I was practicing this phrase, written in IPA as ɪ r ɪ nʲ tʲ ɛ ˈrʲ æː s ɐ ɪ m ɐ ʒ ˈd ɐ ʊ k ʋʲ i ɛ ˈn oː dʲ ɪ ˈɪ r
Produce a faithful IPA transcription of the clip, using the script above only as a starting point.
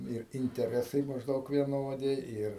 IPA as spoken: ɪ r ɪ nʲ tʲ ɛ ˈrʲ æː s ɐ ɪ m ɐ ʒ ˈd ɐ ʊ k ʋʲ i ɛ ˈn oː dʲ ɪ ˈɪ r